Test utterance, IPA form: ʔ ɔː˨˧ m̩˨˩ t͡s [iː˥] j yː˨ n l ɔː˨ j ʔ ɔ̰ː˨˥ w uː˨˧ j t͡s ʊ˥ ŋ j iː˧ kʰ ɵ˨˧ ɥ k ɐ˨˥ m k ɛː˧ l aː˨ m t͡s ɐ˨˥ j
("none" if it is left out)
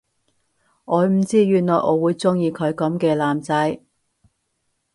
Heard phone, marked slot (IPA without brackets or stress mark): iː˥